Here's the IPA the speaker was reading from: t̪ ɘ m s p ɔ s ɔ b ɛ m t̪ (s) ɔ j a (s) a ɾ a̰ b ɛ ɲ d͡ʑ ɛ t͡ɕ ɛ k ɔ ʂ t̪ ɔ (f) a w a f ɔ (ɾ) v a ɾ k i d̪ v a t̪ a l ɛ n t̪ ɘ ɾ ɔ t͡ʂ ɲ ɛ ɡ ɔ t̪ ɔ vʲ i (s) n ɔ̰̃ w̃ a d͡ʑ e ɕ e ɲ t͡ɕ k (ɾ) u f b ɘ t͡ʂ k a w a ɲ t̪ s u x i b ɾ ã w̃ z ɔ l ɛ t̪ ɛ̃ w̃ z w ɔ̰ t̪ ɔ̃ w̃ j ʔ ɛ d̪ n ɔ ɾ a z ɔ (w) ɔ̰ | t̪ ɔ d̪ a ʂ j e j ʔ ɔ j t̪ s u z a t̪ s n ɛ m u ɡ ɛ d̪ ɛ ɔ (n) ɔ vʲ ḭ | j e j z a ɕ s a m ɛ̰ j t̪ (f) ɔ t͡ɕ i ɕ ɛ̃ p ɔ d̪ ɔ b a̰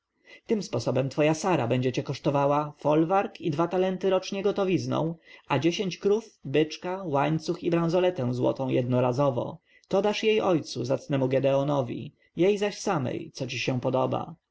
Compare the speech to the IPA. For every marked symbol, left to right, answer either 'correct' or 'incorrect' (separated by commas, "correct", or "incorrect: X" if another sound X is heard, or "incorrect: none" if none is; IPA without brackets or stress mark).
incorrect: f, correct, incorrect: v, incorrect: l, incorrect: z, correct, incorrect: v, correct, incorrect: s